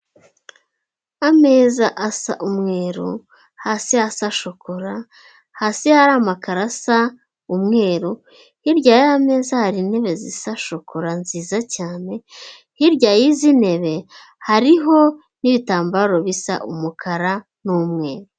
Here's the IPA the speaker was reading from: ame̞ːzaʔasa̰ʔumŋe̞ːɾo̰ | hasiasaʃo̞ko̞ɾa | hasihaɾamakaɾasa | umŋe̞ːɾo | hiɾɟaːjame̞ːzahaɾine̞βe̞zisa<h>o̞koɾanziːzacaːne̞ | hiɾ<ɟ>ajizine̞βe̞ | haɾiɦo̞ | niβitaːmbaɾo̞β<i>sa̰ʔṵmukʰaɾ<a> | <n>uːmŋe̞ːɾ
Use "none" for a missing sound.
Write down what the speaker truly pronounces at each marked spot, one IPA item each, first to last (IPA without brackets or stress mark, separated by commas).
ʃ, ɟ, i, a, n